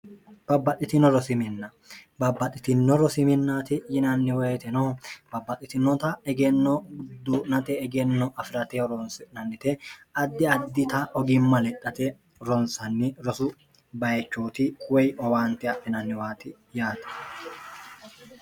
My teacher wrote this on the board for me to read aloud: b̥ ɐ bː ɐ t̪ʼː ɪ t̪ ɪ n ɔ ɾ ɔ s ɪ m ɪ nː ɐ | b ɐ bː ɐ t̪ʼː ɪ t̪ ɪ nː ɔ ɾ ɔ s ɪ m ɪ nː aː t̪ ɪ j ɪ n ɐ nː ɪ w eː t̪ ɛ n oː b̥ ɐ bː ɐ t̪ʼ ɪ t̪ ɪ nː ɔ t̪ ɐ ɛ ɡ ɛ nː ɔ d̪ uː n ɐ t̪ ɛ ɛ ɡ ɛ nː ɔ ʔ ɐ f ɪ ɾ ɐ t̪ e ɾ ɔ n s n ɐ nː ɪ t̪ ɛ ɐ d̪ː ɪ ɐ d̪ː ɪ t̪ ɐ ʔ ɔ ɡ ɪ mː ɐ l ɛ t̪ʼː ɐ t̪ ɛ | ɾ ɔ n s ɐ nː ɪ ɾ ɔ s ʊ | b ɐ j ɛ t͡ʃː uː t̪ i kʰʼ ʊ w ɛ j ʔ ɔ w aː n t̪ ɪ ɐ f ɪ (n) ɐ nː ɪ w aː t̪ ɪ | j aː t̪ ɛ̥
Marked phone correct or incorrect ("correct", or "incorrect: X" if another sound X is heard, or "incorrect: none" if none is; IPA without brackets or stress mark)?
correct